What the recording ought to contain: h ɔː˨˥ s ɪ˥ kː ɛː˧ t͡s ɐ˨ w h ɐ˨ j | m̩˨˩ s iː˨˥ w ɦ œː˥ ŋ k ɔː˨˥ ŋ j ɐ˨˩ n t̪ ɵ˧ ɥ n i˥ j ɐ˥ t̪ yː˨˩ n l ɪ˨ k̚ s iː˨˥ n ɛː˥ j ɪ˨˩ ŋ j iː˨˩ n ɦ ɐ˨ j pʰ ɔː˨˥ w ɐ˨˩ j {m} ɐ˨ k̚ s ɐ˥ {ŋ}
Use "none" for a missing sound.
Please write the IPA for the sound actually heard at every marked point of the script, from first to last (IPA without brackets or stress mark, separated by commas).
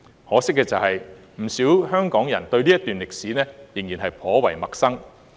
m, ŋ